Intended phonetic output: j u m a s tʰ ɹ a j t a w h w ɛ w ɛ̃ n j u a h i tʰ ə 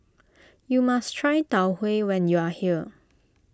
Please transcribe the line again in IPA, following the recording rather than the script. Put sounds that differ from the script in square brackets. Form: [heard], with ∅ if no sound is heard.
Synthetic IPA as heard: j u m a s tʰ ɹ a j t a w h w [e] w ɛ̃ n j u a h i [∅] ə